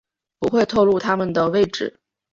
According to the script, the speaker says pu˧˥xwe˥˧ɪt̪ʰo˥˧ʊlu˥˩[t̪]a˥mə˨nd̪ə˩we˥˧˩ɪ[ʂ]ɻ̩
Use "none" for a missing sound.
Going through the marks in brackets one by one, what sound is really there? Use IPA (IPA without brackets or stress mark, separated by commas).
t̪ʰ, ʈ͡ʂ